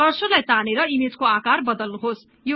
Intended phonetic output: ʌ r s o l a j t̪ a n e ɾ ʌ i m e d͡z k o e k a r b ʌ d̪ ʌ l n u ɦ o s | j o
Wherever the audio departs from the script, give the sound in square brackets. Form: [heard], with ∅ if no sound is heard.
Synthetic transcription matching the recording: ʌ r s o l a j t̪ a n e ɾ ʌ i m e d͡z k o [a] k a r b ʌ d̪ ʌ l n u ɦ o s | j o